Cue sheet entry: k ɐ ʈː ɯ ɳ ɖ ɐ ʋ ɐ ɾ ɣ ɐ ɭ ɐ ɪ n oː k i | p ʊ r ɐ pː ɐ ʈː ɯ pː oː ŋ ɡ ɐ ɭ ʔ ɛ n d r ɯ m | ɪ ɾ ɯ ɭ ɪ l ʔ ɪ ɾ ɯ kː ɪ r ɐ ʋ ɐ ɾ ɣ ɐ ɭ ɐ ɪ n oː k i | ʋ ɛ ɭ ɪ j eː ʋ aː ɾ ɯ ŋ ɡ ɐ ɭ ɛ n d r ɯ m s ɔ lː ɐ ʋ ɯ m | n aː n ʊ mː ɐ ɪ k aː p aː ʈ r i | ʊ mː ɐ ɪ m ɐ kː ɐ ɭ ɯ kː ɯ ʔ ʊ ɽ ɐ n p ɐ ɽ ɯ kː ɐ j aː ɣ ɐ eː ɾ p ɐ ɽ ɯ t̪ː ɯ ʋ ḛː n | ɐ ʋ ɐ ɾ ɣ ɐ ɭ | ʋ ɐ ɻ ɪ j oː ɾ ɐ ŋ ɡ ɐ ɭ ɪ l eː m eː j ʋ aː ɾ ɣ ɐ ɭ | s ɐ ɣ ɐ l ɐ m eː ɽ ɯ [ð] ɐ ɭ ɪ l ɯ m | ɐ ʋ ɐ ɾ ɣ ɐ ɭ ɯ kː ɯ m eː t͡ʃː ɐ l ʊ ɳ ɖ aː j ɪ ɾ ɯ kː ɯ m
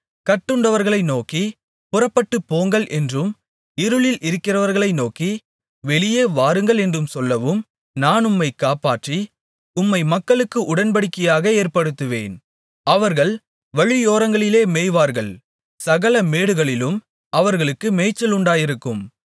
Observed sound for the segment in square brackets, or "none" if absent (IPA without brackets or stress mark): ɣ